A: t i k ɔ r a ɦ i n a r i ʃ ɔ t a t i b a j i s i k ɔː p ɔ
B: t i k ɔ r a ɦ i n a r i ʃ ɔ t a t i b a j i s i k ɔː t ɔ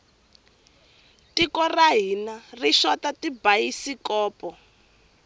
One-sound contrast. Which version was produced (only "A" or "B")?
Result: A